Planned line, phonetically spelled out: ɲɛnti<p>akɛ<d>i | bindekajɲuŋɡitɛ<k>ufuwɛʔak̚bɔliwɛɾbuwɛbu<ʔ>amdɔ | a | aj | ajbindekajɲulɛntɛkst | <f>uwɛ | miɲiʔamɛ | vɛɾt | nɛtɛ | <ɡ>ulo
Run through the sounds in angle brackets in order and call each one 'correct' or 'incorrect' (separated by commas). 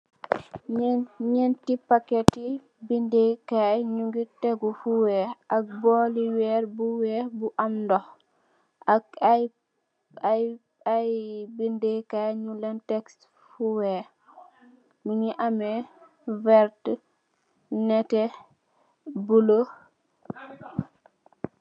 correct, incorrect, incorrect, correct, correct, incorrect